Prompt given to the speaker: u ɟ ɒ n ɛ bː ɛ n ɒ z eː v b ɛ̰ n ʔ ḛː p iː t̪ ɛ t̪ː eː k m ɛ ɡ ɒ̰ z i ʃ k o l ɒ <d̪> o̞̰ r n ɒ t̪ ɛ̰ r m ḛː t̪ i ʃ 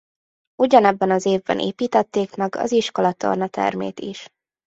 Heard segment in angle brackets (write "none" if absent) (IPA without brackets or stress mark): t̪